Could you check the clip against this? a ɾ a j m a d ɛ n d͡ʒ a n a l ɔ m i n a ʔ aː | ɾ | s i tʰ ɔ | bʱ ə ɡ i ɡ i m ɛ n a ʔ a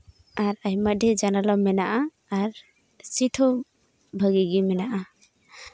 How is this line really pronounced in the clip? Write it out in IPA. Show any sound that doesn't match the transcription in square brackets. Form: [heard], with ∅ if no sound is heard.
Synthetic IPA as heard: a ɾ a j m a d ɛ [∅] d͡ʒ a n a l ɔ m [ɛ] n a ʔ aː | ɾ | s i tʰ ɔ | bʱ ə ɡ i ɡ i m ɛ n a ʔ a